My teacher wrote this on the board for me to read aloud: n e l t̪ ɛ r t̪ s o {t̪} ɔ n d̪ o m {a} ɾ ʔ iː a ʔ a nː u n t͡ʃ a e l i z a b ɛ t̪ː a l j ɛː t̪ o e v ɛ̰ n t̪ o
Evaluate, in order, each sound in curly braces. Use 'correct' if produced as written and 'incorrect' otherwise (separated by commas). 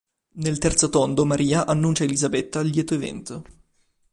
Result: correct, correct